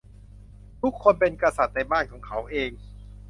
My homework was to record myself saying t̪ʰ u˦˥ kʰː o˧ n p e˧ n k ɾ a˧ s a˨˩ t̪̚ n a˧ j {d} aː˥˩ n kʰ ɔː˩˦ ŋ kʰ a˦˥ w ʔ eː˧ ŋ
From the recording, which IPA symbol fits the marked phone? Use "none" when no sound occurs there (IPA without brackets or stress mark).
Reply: b